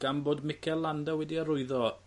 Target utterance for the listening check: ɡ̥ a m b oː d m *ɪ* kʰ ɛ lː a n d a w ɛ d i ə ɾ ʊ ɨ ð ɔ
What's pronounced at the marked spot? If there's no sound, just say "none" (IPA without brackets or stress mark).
ɪ